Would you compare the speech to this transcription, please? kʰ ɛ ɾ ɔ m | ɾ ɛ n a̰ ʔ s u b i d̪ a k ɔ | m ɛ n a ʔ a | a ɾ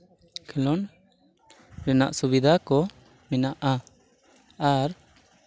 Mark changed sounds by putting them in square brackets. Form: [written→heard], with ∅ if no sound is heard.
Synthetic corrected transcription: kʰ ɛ [ɾ→l] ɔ [m→n] | ɾ ɛ n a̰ ʔ s u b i d̪ a k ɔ | m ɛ n a ʔ a | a ɾ